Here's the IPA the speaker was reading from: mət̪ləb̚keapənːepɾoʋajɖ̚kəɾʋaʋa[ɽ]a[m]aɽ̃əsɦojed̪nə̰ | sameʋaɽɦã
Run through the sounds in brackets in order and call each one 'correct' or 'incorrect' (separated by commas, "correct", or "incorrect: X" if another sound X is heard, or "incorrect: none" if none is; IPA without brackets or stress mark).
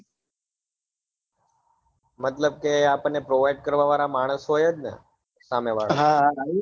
incorrect: ɾ, correct